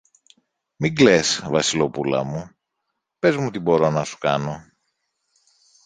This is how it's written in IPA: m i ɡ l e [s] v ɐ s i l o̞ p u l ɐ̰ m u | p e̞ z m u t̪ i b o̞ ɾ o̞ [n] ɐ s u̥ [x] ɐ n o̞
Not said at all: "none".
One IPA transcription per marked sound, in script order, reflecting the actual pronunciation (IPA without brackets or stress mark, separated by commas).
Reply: s, n, k